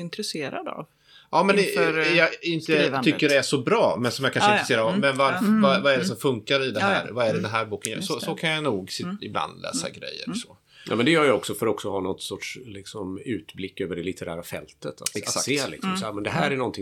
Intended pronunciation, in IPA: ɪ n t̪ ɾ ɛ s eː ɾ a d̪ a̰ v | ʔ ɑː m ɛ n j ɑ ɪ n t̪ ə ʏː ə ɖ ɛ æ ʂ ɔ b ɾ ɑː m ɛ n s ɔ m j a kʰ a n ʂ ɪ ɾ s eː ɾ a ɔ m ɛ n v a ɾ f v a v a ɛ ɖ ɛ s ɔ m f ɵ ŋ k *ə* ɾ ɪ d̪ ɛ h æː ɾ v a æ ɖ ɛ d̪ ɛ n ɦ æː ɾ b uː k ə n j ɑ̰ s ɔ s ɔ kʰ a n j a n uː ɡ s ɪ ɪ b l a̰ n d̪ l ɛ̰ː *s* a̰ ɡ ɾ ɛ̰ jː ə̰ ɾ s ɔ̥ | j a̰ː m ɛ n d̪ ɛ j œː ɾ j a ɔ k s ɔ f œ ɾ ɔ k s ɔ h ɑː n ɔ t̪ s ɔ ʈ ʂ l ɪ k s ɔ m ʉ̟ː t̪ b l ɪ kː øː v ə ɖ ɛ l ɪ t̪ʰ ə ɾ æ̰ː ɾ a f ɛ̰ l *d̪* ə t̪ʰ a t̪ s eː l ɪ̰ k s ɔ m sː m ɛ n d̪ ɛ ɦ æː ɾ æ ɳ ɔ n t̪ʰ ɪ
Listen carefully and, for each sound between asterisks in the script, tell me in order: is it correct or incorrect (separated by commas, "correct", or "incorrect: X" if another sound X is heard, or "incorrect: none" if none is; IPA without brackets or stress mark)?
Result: incorrect: a, correct, incorrect: t̪